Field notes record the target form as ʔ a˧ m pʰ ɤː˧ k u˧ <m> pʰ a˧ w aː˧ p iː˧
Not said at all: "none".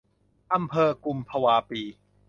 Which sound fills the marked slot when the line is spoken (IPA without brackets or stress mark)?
m